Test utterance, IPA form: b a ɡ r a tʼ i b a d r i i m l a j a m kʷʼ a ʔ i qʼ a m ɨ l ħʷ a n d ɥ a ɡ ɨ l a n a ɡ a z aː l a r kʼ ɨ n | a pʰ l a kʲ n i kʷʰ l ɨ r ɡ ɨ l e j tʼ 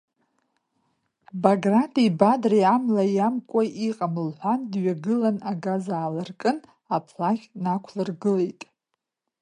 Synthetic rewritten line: b a ɡ r a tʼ i b a d r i a m l a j a m kʷʼ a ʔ i qʼ a m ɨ l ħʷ a n d ɥ a ɡ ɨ l a n a ɡ a z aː l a r kʼ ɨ n | a pʰ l a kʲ n a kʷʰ l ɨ r ɡ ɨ l e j tʼ